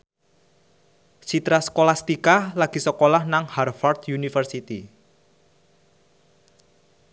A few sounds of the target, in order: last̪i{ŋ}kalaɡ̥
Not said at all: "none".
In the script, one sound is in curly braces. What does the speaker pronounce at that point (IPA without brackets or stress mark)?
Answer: none